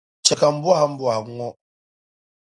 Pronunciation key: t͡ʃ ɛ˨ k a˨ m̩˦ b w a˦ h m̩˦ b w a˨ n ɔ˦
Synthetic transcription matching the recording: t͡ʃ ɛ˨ k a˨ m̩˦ b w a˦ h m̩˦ b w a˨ ŋ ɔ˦